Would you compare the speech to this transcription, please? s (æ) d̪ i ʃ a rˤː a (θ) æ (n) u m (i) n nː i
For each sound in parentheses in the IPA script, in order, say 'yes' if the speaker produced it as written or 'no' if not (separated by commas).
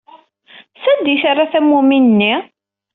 yes, yes, no, yes